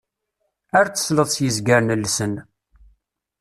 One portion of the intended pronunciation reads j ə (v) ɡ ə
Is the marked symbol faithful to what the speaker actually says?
no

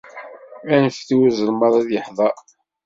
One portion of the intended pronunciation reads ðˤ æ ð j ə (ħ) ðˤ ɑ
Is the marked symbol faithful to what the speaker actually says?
yes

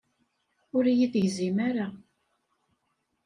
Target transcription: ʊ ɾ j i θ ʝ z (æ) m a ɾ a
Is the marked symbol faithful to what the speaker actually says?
no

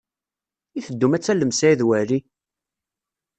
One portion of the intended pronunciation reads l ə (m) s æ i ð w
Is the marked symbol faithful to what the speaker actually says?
yes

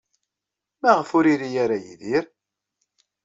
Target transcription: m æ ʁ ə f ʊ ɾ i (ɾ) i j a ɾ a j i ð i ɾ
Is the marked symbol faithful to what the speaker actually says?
yes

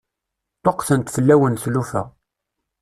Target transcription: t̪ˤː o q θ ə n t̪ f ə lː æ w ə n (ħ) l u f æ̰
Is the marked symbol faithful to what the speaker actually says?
no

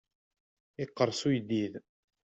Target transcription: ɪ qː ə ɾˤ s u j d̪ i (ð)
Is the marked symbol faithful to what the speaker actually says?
yes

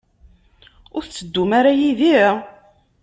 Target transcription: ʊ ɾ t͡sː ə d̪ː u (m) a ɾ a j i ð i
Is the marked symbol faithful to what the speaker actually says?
yes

